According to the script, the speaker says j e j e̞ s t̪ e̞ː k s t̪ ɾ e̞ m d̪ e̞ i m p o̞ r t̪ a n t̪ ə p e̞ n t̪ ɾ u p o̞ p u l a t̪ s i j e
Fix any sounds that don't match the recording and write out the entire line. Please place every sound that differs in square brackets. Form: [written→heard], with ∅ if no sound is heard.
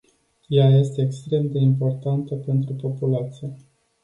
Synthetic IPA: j [e→a] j e̞ s t̪ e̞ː k s t̪ ɾ e̞ m d̪ e̞ i m p o̞ r t̪ a n t̪ ə p e̞ n t̪ ɾ u p o̞ p u l a t̪ s i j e